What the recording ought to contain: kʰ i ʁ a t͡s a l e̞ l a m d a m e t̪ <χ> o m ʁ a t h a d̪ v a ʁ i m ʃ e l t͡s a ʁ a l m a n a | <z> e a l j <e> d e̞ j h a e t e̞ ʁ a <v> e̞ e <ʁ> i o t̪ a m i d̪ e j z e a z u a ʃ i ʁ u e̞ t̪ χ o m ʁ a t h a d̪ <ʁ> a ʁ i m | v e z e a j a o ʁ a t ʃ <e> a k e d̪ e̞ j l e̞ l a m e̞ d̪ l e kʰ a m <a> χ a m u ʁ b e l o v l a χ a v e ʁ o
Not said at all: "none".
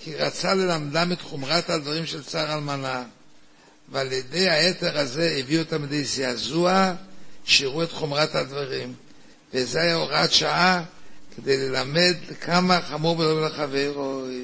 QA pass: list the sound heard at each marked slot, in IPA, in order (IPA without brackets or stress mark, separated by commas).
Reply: χ, v, e, z, v, v, a, a